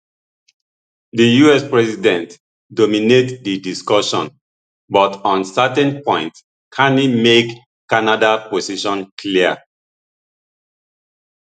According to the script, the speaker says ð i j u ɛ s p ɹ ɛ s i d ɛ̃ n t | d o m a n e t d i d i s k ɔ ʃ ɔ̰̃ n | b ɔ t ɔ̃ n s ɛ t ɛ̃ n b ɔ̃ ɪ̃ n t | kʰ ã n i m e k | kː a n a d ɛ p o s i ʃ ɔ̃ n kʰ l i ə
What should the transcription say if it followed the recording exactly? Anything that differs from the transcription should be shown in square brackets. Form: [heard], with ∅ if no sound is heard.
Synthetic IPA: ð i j u ɛ s p ɹ ɛ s i d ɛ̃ n t | d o m [i] n e t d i d i s k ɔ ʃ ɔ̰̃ n | b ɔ t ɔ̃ n s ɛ t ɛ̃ n [p] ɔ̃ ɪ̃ n t | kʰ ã n i m e k | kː a n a d [a] p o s i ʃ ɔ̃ n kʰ l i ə